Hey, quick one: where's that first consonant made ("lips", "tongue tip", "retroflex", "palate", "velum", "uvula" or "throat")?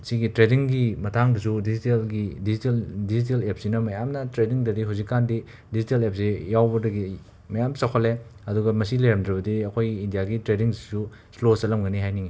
tongue tip